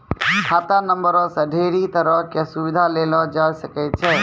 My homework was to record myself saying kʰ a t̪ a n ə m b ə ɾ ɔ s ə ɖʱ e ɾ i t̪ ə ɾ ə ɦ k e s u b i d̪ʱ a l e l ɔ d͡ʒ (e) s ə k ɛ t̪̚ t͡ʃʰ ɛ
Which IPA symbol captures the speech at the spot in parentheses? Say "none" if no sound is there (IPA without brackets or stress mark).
a